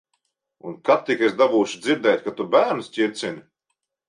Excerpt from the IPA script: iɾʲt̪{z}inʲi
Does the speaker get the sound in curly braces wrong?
yes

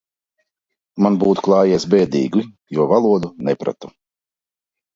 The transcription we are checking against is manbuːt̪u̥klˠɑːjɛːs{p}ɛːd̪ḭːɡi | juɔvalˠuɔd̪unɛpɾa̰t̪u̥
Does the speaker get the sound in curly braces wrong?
yes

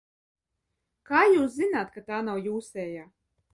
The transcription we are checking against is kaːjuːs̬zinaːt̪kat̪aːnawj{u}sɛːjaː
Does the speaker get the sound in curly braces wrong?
yes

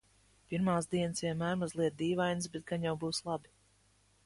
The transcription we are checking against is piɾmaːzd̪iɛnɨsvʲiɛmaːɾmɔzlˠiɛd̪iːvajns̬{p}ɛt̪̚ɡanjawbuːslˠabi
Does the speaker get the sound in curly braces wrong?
yes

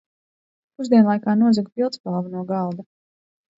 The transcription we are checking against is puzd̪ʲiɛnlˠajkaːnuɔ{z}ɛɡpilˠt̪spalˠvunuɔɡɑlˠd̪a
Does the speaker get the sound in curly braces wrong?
no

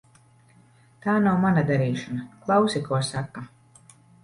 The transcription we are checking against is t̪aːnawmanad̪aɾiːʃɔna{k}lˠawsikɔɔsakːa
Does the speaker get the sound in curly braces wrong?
no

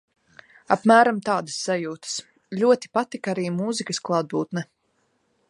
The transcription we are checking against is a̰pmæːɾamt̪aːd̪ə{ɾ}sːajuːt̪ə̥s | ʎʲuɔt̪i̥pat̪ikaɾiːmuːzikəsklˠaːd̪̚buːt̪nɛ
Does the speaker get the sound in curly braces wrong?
yes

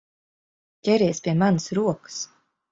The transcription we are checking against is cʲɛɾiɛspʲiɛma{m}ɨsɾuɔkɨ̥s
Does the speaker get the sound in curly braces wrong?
yes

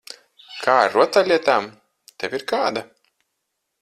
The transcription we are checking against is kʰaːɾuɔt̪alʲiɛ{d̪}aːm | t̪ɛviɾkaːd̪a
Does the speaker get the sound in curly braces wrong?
yes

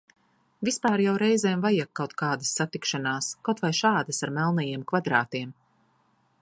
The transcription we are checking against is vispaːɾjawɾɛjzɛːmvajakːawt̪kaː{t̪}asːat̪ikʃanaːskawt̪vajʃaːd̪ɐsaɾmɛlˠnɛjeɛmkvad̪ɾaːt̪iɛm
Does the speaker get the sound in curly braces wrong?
yes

